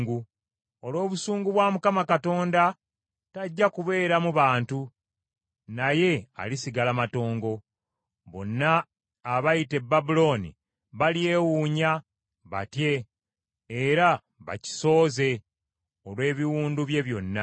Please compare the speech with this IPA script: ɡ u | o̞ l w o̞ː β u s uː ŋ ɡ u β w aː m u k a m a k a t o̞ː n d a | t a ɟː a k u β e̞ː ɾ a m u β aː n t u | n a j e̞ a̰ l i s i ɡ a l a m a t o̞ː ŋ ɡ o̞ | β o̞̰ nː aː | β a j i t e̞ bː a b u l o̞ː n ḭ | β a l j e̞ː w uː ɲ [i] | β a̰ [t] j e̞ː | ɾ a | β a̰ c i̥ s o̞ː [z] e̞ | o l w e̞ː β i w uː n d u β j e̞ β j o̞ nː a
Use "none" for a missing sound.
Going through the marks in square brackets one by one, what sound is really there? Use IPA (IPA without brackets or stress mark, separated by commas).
a, t, z